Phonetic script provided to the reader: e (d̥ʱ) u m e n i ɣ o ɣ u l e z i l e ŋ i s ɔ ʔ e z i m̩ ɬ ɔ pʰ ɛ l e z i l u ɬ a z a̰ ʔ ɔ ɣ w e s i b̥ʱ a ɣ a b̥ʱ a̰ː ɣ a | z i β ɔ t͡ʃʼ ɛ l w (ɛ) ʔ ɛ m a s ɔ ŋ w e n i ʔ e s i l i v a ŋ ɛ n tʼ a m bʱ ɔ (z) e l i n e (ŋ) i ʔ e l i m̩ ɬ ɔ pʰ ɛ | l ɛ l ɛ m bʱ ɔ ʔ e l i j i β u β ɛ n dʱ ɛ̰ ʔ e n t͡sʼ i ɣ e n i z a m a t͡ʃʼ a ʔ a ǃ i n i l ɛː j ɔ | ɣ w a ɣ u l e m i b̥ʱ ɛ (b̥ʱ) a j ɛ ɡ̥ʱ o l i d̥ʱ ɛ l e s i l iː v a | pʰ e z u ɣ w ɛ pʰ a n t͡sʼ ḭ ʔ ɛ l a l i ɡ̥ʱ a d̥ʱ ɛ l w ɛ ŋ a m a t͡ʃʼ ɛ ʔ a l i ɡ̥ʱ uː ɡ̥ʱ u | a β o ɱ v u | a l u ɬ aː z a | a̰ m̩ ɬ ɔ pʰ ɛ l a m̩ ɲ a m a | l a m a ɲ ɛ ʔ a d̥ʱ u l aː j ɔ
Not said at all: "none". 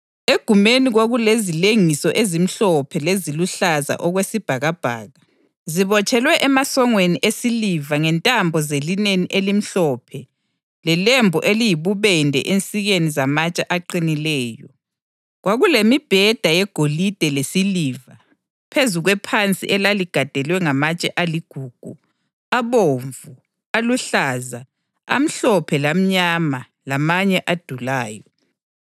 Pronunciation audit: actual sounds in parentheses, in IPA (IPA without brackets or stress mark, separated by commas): ɡ̥ʱ, ɛ, z, n, d̥ʱ